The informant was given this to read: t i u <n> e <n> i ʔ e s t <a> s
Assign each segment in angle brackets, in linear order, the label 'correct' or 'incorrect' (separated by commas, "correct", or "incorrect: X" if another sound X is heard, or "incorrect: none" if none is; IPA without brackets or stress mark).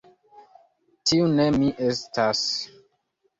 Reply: correct, incorrect: m, correct